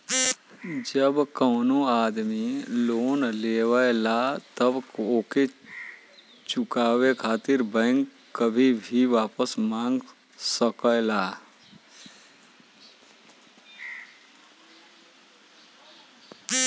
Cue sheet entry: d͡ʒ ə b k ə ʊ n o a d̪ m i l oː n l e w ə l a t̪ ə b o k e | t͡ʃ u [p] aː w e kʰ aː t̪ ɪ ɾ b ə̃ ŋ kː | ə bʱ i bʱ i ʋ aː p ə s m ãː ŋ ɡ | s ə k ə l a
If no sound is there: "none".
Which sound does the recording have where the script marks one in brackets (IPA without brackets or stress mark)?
k